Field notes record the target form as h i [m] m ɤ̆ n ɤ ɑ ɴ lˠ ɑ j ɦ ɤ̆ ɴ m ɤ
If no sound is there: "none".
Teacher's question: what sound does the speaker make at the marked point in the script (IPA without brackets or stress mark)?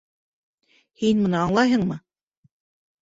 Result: n